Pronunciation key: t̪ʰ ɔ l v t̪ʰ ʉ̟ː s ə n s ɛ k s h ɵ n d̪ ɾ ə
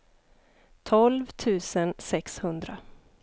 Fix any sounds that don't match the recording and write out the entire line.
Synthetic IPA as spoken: t̪ʰ ɔ l v t̪ʰ ʉ̟ː s ə n s ɛ k s h ɵ n d̪ ɾ a